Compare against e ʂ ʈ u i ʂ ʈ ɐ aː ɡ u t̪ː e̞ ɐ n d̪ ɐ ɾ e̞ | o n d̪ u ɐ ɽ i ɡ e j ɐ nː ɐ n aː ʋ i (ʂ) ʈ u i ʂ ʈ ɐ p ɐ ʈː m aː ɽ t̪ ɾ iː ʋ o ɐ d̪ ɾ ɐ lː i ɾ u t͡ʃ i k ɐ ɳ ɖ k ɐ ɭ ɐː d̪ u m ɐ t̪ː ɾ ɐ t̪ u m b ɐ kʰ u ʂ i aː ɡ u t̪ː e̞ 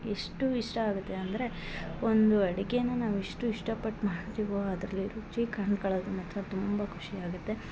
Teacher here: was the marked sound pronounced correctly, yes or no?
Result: yes